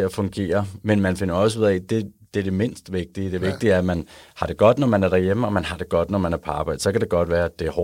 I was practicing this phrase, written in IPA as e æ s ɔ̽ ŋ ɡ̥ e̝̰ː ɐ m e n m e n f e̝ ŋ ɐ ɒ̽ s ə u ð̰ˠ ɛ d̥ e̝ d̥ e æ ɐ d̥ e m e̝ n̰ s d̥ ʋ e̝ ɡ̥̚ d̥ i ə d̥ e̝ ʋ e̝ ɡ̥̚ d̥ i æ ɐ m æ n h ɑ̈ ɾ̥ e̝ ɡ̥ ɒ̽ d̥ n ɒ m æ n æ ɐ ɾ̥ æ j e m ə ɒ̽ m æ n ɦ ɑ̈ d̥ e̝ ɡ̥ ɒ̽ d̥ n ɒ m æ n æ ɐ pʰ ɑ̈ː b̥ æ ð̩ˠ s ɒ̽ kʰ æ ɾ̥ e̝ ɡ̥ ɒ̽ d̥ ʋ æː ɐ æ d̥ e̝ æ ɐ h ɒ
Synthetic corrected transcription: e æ f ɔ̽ ŋ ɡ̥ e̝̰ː ɐ m e n m æ n f e̝ n ɐ ɒ̽ s ə u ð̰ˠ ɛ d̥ e̝ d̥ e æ ɐ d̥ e m e̝ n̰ s d̥ ʋ e̝ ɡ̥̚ d̥ i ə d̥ e̝ ʋ e̝ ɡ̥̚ d̥ i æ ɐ m æ n h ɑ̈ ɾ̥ e̝ ɡ̥ ɒ̽ d̥ n ɒ m æ n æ ɐ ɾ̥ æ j e m ə ɒ̽ m æ n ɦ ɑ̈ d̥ e̝ ɡ̥ ɒ̽ d̥ n ɒ m æ n æ ɐ pʰ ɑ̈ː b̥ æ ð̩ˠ s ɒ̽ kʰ æ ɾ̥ e̝ ɡ̥ ɒ̽ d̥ ʋ æː ɐ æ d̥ e̝ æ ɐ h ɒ